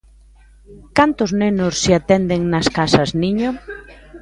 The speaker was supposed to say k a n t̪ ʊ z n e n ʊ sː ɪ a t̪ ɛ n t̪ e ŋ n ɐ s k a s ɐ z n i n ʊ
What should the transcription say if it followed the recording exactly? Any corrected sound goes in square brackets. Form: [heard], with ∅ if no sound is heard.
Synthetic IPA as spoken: k a n t̪ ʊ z n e n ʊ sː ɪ a t̪ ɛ n [d̪] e ŋ n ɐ s k a s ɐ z n i [ɲ] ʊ